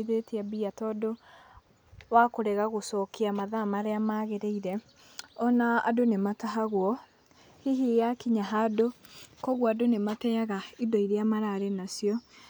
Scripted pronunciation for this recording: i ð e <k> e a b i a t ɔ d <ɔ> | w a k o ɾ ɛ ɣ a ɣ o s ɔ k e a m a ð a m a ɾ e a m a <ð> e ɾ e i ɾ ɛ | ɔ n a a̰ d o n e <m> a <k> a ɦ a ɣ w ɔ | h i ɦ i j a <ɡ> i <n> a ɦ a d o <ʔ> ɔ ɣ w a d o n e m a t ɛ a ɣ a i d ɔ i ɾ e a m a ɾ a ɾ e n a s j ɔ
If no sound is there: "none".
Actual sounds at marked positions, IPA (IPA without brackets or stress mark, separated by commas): t, o, ɣ, m, t, k, ɲ, k